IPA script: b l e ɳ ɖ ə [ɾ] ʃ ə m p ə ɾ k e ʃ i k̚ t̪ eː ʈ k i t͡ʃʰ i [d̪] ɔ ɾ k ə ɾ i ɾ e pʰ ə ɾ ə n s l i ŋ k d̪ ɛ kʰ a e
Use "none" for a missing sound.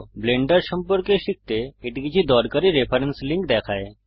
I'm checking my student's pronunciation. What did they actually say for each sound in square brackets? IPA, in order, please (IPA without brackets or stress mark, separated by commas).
ɾ, d̪